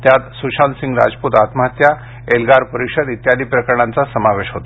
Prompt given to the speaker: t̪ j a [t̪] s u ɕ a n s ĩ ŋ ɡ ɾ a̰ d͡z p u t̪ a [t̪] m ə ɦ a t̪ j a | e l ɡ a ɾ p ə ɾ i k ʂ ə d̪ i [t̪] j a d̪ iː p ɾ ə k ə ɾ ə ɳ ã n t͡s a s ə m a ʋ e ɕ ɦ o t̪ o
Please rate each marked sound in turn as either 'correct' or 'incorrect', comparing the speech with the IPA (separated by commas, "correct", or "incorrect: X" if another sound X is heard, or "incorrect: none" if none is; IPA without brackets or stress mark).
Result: correct, correct, correct